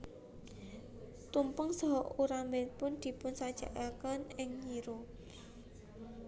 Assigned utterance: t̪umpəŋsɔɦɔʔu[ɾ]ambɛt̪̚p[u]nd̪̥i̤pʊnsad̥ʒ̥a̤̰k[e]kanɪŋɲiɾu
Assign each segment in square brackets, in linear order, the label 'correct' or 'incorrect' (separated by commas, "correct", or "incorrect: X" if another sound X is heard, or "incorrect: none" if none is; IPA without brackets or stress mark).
correct, incorrect: ʊ, incorrect: a